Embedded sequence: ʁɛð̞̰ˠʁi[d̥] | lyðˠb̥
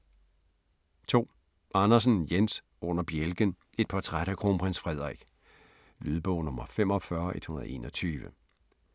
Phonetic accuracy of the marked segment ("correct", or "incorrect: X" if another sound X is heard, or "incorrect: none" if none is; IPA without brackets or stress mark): incorrect: ɡ̥